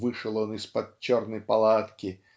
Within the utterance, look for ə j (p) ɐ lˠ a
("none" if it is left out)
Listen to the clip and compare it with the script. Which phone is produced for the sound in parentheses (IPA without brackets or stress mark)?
p